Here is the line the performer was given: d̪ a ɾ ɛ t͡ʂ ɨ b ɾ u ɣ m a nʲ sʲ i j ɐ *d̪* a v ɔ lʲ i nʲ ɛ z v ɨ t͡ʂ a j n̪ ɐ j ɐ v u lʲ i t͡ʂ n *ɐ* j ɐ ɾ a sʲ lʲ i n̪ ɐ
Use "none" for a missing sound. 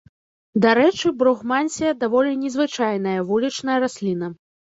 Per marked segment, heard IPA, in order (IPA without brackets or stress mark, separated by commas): d̪, ɐ